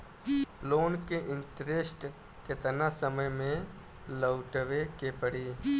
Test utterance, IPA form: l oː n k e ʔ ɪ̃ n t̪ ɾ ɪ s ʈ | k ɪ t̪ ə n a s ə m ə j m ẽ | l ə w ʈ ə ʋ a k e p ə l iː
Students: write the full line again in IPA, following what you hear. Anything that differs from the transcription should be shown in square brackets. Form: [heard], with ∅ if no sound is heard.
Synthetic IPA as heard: l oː n k e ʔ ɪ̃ n t̪ ɾ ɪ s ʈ | k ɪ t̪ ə n a s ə m ə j m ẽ | l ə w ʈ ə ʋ [e] k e p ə [ɽ] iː